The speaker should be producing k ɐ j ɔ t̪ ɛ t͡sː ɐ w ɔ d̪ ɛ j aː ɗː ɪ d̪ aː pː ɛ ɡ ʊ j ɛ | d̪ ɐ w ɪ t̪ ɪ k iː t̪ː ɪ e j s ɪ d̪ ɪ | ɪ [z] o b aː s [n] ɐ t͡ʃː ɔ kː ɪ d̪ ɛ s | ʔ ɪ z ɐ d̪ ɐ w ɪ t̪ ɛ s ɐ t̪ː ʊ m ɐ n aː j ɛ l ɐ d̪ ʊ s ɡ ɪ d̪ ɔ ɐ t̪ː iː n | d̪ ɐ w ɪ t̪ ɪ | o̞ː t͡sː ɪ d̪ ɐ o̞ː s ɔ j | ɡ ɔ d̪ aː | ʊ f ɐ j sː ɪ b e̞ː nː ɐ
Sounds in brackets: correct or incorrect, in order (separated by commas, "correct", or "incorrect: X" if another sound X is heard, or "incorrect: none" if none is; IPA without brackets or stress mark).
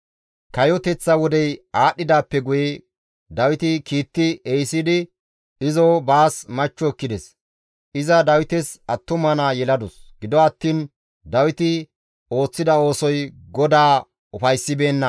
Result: correct, incorrect: m